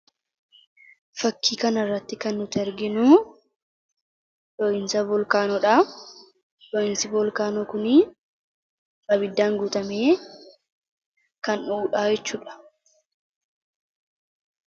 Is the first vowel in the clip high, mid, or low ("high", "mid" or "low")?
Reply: low